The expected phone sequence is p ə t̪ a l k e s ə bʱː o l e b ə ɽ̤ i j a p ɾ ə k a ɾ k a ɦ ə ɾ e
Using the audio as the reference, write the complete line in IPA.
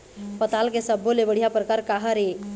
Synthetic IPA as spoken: p ə t̪ a l k e s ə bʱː o l e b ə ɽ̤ i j a p ɾ ə k a ɾ k a ɦ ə ɾ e